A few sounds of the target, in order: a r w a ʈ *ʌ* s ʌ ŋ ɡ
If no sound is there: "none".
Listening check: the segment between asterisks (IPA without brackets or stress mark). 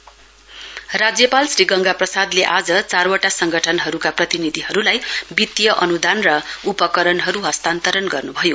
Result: a